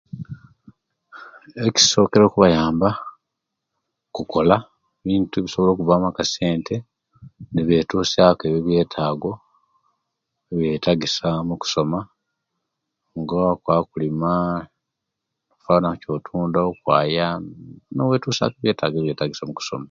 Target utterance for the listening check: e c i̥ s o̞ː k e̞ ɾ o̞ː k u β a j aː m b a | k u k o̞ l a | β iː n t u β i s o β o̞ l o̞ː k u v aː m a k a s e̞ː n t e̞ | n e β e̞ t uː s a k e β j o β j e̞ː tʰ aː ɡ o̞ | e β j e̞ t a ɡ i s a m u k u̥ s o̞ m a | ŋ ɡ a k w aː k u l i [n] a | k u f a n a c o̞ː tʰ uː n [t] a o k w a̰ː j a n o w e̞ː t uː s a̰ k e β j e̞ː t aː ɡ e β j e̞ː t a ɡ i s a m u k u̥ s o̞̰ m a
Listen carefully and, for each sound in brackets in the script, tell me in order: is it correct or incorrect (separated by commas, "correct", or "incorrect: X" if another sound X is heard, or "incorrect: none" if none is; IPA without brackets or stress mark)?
incorrect: m, incorrect: d